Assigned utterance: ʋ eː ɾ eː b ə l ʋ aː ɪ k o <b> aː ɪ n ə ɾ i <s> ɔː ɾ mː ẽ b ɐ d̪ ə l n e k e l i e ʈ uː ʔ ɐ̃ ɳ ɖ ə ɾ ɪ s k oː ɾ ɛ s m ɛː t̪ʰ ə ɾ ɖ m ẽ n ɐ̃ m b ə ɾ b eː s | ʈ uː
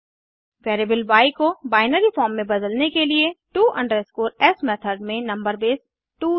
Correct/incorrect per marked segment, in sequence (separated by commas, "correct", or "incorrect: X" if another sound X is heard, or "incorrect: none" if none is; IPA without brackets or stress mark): correct, incorrect: f